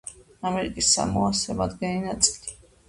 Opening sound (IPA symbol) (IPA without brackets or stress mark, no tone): a